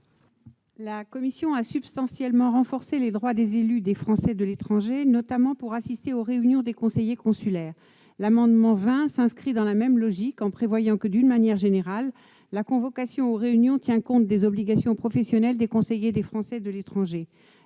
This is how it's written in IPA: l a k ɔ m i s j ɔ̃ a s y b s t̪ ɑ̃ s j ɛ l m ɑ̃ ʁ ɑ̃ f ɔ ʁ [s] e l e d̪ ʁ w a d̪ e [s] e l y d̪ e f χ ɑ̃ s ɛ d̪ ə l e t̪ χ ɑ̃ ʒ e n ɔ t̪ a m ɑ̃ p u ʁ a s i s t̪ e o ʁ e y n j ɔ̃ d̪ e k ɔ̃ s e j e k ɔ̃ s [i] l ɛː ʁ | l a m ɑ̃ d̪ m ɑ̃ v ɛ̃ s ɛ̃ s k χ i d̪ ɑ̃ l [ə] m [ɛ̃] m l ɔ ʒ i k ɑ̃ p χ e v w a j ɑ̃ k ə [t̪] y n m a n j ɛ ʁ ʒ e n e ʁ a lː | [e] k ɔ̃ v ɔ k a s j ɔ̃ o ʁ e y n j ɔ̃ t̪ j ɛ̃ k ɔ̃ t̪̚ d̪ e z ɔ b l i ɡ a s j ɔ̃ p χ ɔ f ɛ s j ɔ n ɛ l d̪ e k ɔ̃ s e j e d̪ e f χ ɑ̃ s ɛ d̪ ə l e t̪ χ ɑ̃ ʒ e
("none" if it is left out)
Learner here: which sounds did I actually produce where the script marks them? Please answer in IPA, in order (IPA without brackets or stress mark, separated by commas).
s, z, y, a, ɛ, d̪, a